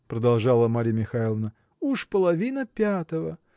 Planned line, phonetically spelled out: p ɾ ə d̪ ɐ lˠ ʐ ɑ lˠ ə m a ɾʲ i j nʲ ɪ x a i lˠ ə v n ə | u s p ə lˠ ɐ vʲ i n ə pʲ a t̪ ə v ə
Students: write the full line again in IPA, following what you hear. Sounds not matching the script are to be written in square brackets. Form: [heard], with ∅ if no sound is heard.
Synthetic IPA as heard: p ɾ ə d̪ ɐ lˠ ʐ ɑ lˠ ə m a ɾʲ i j [mʲ] ɪ x a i lˠ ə v n ə | u [ʂ] p ə lˠ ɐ vʲ i n ə pʲ a t̪ ə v ə